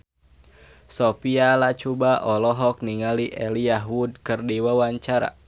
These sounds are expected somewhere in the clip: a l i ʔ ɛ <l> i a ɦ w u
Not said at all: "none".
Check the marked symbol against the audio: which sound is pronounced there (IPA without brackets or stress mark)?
l